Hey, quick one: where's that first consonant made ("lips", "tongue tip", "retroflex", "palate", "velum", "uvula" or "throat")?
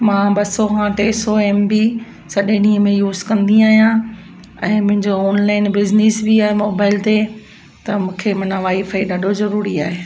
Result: lips